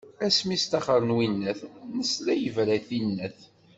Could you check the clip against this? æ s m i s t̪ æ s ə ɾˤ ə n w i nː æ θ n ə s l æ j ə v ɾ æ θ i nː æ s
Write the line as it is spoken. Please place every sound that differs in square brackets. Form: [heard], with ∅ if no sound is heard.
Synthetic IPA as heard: æ s m i s t̪ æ [χ] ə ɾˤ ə n w i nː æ θ n ə s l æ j ə v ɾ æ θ i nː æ [θ]